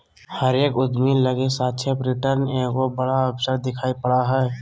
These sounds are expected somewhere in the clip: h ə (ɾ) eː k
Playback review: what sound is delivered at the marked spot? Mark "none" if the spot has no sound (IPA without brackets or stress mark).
ɾ